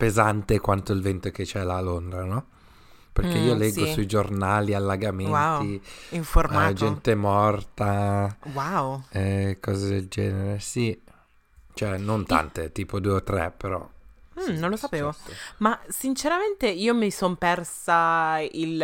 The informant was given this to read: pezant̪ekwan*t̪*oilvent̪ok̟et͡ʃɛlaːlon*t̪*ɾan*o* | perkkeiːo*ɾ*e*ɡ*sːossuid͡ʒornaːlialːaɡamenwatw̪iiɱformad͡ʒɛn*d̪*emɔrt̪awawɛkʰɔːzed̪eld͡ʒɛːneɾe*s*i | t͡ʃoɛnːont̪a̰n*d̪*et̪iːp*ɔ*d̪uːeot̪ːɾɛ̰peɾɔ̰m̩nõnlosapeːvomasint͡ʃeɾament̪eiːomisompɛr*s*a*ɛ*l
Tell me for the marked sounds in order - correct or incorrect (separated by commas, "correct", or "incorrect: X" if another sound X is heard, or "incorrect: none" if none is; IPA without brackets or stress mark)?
correct, incorrect: d̪, incorrect: ɔ, incorrect: l, correct, incorrect: t̪, correct, incorrect: t̪, incorrect: o, correct, incorrect: i